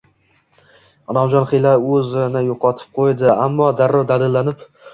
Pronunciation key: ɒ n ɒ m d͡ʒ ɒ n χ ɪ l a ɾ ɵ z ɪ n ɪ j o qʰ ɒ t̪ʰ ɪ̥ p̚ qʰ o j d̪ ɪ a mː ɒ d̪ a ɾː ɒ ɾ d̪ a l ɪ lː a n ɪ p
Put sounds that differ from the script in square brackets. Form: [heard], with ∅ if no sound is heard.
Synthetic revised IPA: ɒ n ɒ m d͡ʒ ɒ n χ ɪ l a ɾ ɵ z ɪ n ɪ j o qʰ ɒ t̪ʰ ɪ̥ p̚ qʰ o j d̪ ɪ a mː ɒ d̪ a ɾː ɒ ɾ d̪ a l ɪ lː a n ɪ p